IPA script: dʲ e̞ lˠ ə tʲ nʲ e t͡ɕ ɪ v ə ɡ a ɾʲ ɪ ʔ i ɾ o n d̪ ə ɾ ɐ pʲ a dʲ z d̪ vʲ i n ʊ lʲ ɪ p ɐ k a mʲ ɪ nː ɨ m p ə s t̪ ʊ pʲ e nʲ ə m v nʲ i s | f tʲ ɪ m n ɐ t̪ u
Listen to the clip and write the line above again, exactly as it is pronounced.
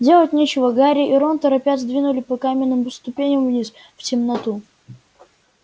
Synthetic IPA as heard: dʲ e̞ lˠ ə tʲ nʲ e t͡ɕ ɪ v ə ɡ a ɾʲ ɪ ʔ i ɾ o n t̪ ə ɾ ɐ pʲ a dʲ z d̪ vʲ i n ʊ lʲ ɪ p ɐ k a mʲ ɪ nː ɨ m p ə s t̪ ʊ pʲ e nʲ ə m v nʲ i s | f tʲ ɪ m n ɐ t̪ u